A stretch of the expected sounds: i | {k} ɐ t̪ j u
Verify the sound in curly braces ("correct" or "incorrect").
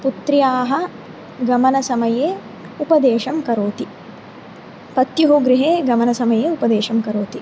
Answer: incorrect